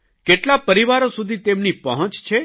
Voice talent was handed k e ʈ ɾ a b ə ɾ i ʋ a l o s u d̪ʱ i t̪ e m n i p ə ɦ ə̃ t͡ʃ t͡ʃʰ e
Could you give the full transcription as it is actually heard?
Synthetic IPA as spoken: k e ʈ l a p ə ɾ i ʋ a ɾ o s u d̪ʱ i t̪ e m n i p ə ɦ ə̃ t͡ʃ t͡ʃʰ e